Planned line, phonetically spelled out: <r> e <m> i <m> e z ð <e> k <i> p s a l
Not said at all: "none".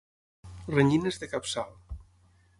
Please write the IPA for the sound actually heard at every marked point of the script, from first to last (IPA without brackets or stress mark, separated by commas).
r, ɲ, n, e, a